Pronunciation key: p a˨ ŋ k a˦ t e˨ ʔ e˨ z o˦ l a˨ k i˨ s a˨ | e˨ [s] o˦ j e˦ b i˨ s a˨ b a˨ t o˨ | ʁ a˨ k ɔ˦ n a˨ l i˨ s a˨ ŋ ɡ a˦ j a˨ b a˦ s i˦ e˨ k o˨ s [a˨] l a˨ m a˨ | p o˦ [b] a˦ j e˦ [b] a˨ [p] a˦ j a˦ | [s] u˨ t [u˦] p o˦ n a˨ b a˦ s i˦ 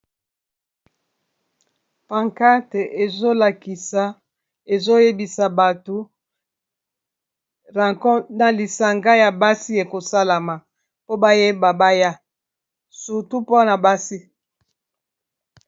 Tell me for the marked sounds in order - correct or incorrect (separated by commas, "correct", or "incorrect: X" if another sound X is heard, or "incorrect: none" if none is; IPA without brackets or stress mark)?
incorrect: z, incorrect: a˦, correct, correct, incorrect: b, correct, correct